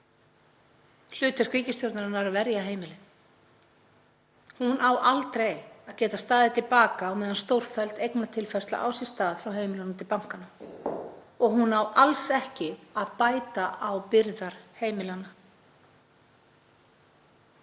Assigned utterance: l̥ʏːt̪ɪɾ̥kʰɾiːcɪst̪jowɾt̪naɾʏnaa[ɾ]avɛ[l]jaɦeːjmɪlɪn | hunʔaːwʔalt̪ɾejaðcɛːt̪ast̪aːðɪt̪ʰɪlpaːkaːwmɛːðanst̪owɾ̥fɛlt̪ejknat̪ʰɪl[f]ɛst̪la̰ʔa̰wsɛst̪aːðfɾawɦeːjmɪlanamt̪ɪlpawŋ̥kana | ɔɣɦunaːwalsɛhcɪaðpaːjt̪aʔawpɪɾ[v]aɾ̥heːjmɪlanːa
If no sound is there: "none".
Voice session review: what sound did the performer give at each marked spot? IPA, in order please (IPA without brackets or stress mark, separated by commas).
ɾ, ɾ, f, ð